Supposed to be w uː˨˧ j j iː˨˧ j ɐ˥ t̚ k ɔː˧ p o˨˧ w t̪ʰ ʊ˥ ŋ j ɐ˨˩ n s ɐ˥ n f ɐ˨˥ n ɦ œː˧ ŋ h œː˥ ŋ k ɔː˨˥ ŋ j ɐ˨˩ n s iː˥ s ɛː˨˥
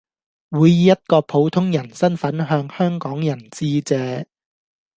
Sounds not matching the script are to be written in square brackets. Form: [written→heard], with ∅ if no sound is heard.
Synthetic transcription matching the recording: w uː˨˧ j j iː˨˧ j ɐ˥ t̚ k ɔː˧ [p→pʰ] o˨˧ w t̪ʰ ʊ˥ ŋ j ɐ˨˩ n s ɐ˥ n f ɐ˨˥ n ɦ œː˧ ŋ h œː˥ ŋ k ɔː˨˥ ŋ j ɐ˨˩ n [s→t͡s] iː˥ [s→t͡s] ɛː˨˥